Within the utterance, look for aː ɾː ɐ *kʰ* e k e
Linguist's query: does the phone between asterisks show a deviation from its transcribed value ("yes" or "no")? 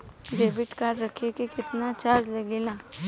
no